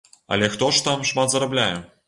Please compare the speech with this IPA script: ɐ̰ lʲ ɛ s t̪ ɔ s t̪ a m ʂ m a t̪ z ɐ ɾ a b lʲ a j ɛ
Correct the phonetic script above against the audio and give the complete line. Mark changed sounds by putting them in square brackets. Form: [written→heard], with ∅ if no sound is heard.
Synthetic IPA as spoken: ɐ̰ lʲ ɛ [s→x] t̪ ɔ [s→ʂ] t̪ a m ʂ m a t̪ z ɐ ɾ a b lʲ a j ɛ